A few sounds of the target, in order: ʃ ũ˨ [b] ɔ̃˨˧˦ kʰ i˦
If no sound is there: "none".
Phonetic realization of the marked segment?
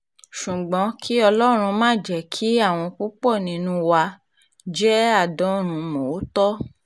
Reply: ɡ͡b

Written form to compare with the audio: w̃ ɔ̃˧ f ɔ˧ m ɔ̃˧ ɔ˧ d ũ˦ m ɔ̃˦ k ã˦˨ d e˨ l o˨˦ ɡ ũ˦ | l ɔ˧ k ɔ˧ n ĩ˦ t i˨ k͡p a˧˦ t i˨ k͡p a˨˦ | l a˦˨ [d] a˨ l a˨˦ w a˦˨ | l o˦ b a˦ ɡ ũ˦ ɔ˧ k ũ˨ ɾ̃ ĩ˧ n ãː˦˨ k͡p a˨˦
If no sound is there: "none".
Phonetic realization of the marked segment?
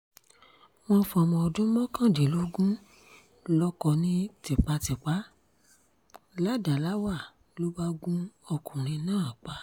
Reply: d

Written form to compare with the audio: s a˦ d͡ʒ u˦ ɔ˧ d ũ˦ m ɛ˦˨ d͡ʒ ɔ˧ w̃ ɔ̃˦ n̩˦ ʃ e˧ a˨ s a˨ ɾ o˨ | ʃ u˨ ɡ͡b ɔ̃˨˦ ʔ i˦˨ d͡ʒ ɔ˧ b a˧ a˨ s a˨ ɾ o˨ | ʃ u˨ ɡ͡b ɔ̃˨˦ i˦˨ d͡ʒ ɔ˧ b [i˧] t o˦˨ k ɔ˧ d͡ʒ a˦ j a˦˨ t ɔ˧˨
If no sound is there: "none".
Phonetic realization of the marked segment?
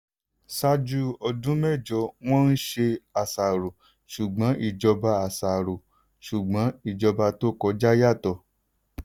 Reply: a˧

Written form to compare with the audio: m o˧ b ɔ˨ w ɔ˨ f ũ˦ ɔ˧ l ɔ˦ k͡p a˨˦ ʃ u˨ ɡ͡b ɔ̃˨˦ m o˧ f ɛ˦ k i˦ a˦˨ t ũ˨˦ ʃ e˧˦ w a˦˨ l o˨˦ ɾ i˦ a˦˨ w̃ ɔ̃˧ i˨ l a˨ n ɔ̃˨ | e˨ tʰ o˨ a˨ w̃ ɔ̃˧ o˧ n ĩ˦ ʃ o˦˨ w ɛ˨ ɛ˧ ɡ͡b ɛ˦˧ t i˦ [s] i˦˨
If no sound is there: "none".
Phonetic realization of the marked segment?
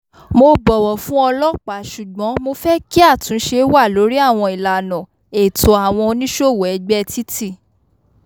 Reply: t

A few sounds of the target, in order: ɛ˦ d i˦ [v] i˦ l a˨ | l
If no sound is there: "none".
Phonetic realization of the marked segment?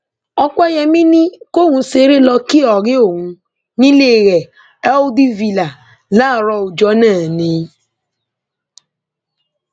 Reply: v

